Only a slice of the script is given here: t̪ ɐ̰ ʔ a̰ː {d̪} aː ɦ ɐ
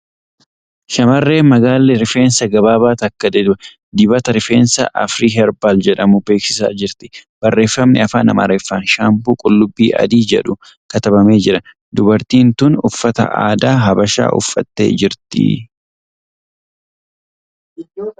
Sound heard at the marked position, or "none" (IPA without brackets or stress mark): d̪